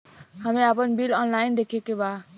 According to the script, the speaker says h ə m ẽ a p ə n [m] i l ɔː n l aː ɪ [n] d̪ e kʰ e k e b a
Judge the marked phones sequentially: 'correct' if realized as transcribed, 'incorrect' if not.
incorrect, correct

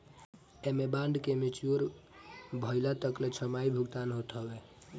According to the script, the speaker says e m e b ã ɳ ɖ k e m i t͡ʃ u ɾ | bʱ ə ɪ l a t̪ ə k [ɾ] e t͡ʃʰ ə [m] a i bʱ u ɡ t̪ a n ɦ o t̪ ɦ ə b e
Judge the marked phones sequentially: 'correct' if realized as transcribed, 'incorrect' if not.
incorrect, correct

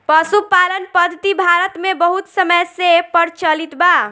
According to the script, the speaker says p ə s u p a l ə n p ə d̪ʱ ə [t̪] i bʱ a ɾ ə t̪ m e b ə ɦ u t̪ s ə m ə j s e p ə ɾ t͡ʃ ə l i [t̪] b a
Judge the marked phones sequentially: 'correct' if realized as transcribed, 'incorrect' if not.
correct, correct

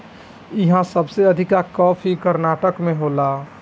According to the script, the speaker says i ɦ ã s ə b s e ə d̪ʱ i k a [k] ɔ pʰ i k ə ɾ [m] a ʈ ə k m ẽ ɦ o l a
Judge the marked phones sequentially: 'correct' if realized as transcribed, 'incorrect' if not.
correct, incorrect

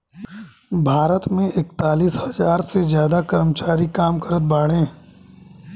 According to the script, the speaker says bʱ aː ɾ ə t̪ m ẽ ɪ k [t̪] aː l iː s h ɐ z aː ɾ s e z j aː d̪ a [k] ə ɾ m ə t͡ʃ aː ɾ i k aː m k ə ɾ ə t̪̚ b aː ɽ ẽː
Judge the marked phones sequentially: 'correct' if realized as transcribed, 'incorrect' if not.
correct, correct

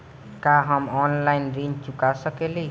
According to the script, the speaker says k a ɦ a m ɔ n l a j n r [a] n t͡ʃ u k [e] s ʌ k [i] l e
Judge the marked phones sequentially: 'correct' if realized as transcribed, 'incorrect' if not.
incorrect, incorrect, incorrect

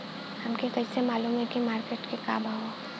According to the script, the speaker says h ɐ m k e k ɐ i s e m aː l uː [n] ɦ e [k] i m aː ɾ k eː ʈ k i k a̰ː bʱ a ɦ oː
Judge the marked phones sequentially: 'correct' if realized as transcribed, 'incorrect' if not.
incorrect, correct

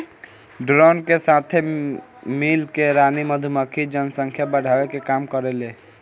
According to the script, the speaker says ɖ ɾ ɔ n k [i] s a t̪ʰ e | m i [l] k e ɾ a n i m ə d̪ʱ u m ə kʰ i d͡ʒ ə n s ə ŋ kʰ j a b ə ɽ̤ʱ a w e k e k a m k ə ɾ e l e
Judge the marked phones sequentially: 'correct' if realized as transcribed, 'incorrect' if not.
incorrect, correct

